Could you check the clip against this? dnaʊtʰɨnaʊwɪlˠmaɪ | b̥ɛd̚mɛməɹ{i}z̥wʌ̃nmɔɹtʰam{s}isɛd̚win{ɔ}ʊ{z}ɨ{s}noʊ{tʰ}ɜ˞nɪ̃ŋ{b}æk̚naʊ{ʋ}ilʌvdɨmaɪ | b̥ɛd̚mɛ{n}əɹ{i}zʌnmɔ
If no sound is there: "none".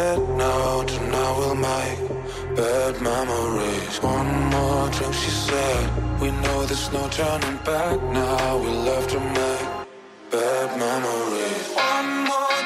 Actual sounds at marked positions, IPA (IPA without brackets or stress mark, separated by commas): i, ʃ, o, ð, s, tʰ, b, w, m, i